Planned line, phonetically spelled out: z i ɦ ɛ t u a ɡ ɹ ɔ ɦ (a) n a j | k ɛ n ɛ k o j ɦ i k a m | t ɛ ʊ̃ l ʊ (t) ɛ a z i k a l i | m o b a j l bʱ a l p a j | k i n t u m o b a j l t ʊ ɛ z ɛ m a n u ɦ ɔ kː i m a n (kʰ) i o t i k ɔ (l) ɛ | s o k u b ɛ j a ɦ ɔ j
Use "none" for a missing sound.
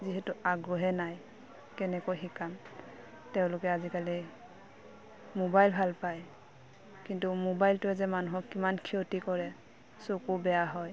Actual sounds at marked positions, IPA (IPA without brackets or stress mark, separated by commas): ɛ, k, kʰ, ɹ